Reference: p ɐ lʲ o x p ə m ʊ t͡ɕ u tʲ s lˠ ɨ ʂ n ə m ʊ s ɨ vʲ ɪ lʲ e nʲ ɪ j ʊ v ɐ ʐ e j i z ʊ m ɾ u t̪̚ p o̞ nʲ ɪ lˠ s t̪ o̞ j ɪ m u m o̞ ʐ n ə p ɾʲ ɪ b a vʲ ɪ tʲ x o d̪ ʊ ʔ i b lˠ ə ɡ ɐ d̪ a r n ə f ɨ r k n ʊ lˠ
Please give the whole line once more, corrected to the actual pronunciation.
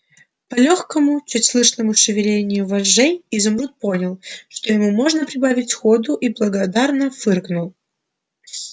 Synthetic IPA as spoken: p ɐ lʲ o x k ə m ʊ t͡ɕ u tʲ s lˠ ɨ ʂ n ə m ʊ ʂ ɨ vʲ ɪ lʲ e nʲ ɪ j ʊ v ɐ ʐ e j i z ʊ m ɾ u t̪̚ p o̞ nʲ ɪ lˠ ʂ t̪ o̞ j ɪ m u m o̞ ʐ n ə p ɾʲ ɪ b a vʲ ɪ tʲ x o d̪ ʊ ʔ i b lˠ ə ɡ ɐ d̪ a r n ə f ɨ r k n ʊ lˠ

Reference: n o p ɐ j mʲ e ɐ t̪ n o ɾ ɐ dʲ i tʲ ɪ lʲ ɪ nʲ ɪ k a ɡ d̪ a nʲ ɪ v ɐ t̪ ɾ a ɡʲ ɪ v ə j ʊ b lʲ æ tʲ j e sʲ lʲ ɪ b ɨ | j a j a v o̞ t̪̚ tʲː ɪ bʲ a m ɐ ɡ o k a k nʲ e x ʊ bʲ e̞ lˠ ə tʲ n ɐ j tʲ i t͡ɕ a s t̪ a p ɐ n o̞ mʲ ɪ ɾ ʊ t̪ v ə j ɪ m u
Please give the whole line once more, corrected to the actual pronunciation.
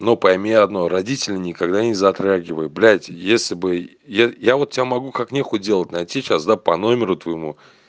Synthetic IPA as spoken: n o p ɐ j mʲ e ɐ d̪ n o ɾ ɐ dʲ i tʲ ɪ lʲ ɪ nʲ ɪ k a ɡ d̪ a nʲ ɪ z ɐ t̪ ɾ a ɡʲ ɪ v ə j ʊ b lʲ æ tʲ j e sʲ lʲ ɪ b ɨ | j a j a v o̞ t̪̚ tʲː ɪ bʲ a m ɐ ɡ u k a k nʲ e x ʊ dʲ e̞ lˠ ə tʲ n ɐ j tʲ i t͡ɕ a s d̪ a p ɐ n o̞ mʲ ɪ ɾ ʊ t̪ v ə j ɪ m u

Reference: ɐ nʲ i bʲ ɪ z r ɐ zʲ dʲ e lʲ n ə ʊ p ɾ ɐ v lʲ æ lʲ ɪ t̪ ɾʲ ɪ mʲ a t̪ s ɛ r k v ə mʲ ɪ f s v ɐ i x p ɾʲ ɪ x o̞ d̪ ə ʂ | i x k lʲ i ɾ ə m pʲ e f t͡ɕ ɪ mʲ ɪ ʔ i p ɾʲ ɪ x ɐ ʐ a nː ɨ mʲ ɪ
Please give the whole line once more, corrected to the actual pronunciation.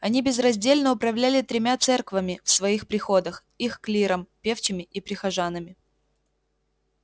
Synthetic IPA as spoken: ɐ nʲ i bʲ ɪ z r ɐ zʲ dʲ e lʲ n ə ʊ p ɾ ɐ v lʲ æ lʲ ɪ t̪ ɾʲ ɪ mʲ a t̪ s ɛ r k v ə mʲ ɪ f s v ɐ i x p ɾʲ ɪ x o̞ d̪ ə x | i x k lʲ i ɾ ə m pʲ e f t͡ɕ ɪ mʲ ɪ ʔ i p ɾʲ ɪ x ɐ ʐ a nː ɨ mʲ ɪ

